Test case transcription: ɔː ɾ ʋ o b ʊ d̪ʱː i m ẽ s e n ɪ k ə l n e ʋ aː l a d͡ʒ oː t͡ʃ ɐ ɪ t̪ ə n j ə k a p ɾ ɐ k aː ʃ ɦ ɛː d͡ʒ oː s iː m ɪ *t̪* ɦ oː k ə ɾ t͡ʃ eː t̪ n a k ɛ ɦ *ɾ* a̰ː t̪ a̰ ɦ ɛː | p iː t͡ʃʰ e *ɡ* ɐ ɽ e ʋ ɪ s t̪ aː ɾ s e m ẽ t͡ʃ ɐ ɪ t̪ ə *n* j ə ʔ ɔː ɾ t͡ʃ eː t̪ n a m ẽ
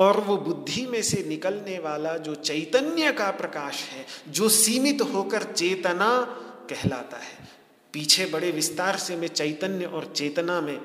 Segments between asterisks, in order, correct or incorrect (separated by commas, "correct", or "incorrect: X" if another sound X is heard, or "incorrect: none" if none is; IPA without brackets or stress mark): correct, incorrect: l, incorrect: b, correct